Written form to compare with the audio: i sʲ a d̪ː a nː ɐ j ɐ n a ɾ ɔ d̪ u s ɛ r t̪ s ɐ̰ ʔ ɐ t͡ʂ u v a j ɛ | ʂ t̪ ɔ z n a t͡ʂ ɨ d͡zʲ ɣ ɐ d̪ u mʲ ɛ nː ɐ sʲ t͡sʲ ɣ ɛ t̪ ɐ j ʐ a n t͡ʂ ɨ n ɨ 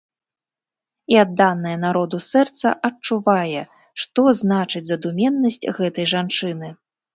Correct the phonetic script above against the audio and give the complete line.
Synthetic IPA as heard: i a d̪ː a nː ɐ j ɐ n a ɾ ɔ d̪ u s ɛ r t̪ s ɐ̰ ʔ ɐ t͡ʂ u v a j ɛ | ʂ t̪ ɔ z n a t͡ʂ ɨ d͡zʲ z ɐ d̪ u mʲ ɛ nː ɐ sʲ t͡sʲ ɣ ɛ t̪ ɐ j ʐ a n t͡ʂ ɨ n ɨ